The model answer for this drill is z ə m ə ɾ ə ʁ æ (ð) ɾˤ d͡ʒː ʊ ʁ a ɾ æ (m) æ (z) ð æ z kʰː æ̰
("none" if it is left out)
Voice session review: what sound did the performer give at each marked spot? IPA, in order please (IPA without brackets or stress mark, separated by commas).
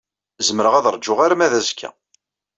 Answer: ð, m, none